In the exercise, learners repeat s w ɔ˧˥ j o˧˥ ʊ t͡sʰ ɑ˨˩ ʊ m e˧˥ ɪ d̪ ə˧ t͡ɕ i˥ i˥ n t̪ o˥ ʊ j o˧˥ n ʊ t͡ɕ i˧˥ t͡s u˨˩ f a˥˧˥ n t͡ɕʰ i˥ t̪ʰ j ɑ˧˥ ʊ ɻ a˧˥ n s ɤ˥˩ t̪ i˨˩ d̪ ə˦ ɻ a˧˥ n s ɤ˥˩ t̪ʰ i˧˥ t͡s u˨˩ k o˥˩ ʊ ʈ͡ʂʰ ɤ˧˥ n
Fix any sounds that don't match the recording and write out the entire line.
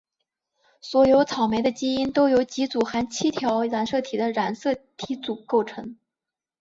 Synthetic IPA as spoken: s w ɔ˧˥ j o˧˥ ʊ t͡sʰ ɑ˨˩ ʊ m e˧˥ ɪ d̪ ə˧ t͡ɕ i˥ i˥ n t̪ o˥ ʊ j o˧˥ ʊ t͡ɕ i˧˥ t͡s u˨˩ x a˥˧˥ n t͡ɕʰ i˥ t̪ʰ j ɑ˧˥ ʊ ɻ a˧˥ n s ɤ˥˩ t̪ʰ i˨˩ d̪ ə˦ ɻ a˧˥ n s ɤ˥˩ t̪ʰ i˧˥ t͡s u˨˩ k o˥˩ ʊ ʈ͡ʂʰ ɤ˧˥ ŋ